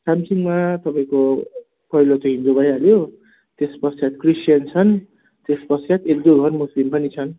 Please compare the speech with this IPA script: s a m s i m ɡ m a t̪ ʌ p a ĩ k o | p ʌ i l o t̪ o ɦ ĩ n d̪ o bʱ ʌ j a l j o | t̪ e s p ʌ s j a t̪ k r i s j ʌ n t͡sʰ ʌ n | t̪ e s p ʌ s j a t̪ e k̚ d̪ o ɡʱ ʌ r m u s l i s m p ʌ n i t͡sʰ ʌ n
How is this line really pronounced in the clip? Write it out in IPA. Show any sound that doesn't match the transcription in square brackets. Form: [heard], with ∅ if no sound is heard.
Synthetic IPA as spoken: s a m s i [ŋ] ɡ m a t̪ ʌ p a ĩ k o | p ʌ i l o t̪ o ɦ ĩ n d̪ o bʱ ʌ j a l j o | t̪ e s p ʌ s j a t̪ k r i s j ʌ n t͡sʰ ʌ n | t̪ e s p ʌ s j a t̪ e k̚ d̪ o ɡʱ ʌ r m u s l i [∅] m p ʌ n i t͡sʰ ʌ n